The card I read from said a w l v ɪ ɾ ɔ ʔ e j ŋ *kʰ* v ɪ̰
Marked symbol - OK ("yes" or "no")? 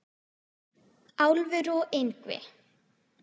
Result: no